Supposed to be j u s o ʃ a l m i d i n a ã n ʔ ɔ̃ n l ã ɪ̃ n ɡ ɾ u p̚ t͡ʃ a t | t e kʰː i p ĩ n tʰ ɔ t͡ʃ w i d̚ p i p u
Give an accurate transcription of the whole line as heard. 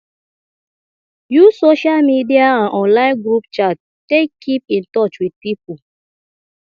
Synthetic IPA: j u s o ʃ a l m i d i a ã n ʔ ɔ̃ n l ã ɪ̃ n ɡ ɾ u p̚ t͡ʃ a t | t e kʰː i p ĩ n t ɔ t͡ʃ w i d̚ p i p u